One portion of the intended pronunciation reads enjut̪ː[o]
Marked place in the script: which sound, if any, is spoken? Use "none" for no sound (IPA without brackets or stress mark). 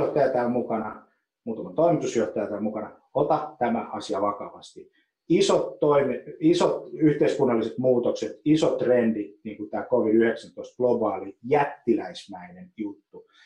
u